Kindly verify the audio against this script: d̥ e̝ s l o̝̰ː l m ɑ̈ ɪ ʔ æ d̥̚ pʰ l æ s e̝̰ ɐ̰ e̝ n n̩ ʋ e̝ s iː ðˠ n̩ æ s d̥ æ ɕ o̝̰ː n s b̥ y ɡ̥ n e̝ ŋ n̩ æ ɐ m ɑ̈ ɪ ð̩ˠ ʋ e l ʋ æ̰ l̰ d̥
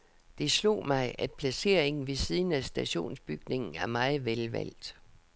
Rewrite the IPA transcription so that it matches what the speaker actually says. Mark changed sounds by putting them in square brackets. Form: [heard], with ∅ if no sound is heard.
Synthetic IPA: d̥ e̝ s l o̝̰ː [∅] m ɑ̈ ɪ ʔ æ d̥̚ pʰ l æ s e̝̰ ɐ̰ e̝ [ŋ] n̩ ʋ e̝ s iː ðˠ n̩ æ s d̥ æ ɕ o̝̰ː n s b̥ y ɡ̥ n e̝ ŋ n̩ æ ɐ m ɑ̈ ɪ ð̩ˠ ʋ e l ʋ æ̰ l̰ d̥